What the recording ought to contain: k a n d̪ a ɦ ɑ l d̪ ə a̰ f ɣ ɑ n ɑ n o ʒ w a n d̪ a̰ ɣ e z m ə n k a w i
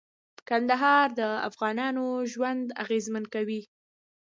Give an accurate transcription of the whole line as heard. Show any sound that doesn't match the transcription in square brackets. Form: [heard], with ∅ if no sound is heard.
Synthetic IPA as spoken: k a n d̪ a ɦ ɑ [ɾ] d̪ ə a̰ f ɣ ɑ n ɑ n o ʒ w a n d̪ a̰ ɣ e z m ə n k a w i